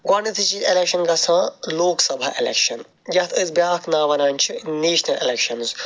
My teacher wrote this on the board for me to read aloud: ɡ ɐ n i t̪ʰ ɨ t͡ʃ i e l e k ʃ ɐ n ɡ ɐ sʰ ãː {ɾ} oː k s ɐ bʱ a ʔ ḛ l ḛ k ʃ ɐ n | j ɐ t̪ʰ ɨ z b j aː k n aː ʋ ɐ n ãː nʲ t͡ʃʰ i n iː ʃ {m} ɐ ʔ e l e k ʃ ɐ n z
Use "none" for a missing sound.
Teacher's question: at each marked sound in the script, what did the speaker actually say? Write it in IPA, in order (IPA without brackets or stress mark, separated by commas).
l, n